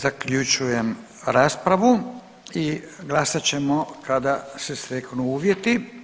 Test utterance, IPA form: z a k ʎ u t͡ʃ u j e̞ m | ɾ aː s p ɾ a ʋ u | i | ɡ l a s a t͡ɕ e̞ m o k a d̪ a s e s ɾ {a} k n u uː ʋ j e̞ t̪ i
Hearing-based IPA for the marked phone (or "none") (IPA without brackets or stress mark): e